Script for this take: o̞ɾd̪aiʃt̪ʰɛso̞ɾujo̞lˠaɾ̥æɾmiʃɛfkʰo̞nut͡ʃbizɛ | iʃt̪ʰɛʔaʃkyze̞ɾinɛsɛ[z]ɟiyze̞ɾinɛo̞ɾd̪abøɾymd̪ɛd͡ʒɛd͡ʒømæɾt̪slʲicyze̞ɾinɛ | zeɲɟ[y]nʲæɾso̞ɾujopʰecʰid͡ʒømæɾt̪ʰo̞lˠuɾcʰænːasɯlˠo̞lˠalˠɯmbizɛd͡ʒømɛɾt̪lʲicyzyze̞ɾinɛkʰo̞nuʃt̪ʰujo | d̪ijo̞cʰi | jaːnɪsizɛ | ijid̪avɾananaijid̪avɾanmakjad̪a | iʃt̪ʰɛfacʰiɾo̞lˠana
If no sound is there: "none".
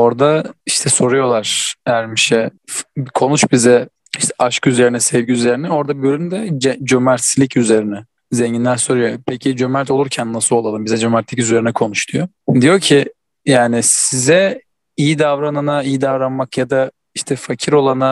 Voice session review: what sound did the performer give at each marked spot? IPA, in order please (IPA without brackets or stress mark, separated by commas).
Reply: v, i